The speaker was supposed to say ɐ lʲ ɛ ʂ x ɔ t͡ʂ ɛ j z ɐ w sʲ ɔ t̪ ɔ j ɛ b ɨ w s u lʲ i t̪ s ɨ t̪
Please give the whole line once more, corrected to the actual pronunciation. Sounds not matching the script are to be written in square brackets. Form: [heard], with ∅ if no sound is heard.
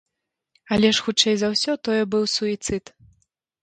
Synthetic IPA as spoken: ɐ lʲ ɛ ʂ x [u] t͡ʂ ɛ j z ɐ w sʲ ɔ t̪ ɔ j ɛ b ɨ w s u [∅] i t̪ s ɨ t̪